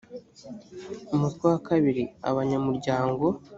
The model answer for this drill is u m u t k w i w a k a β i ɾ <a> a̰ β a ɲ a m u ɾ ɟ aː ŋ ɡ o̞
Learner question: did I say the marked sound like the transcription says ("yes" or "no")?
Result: no